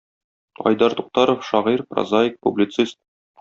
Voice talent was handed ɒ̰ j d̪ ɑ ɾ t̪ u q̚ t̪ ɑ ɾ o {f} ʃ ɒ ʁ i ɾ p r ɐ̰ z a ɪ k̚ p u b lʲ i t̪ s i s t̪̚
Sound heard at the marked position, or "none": f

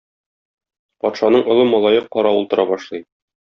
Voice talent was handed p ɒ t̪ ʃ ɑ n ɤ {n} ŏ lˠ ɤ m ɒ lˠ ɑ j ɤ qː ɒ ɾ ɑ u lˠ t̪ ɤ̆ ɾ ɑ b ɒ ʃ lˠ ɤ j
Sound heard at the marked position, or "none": ɴ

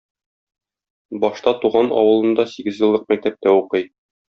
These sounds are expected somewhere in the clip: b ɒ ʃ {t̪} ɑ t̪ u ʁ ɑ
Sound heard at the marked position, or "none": t̪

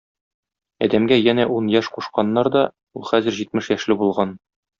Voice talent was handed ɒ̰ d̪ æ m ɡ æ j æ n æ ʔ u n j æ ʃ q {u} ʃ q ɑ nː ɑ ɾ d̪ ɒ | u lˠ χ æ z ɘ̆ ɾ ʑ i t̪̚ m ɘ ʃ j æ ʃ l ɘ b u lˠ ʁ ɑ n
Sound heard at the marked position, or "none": u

